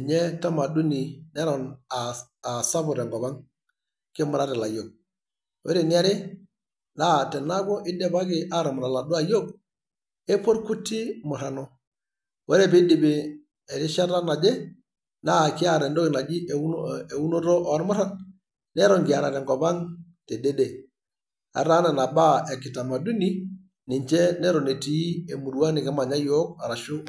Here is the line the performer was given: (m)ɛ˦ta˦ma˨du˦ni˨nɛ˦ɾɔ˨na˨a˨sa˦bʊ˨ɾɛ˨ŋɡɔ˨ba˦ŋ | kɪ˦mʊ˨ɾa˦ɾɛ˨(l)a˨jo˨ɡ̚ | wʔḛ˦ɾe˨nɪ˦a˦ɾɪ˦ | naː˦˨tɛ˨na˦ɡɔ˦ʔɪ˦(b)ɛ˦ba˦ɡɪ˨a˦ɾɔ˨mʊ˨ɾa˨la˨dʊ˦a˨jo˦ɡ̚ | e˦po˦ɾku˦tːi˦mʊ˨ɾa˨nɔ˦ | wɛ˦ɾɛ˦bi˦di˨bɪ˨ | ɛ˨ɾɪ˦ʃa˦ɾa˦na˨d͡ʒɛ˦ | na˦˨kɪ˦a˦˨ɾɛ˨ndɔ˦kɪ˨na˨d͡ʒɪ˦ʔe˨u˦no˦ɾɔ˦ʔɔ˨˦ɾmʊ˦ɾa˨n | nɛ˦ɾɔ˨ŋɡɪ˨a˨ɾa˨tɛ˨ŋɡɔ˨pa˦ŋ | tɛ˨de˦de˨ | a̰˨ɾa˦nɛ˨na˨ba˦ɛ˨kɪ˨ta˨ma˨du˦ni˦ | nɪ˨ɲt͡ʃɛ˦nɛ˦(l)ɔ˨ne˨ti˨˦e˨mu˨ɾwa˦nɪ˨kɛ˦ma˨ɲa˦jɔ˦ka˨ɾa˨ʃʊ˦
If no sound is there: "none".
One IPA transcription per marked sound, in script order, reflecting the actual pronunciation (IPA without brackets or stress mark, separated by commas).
ɲ, l, d, ɾ